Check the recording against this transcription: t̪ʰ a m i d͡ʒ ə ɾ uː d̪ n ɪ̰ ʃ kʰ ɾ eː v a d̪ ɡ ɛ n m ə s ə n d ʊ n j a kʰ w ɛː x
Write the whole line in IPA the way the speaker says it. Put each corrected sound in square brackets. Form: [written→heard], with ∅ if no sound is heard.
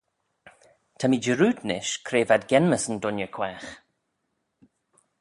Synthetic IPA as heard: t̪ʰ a m i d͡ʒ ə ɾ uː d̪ n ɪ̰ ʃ kʰ ɾ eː v a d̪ ɡ ɛ n m ə s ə n d ʊ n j [a→ə] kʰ w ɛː x